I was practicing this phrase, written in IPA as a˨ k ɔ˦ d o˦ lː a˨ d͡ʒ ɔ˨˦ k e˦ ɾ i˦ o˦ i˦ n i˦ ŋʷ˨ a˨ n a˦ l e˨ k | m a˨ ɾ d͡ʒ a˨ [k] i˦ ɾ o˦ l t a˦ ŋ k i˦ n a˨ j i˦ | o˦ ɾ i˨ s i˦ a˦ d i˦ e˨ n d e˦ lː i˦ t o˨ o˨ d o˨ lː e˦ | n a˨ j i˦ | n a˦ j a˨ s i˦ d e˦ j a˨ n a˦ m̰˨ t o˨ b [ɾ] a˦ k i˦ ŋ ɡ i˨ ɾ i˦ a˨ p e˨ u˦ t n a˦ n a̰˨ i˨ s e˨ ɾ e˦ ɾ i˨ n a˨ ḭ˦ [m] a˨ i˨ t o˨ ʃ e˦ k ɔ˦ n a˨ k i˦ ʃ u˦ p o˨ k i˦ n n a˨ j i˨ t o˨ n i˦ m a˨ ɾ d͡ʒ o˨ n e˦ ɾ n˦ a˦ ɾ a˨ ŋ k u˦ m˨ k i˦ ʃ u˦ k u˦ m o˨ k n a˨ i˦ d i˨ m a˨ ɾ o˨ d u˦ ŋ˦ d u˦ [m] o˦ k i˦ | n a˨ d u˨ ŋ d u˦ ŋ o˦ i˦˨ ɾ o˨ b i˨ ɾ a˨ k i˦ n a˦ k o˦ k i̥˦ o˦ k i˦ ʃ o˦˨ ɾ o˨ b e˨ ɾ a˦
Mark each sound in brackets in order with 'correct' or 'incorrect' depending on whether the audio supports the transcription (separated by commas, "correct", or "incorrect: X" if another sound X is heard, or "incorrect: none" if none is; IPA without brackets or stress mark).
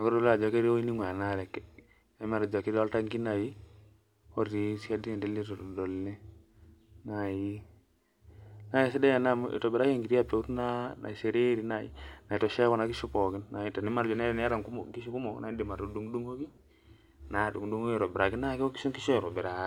correct, correct, incorrect: n, incorrect: ŋ